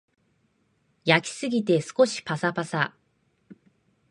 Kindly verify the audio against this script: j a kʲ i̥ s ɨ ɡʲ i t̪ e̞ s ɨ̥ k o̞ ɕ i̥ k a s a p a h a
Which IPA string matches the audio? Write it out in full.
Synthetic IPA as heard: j a kʲ i̥ s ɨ ɡʲ i t̪ e̞ s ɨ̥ k o̞ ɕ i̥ p a s a p a s a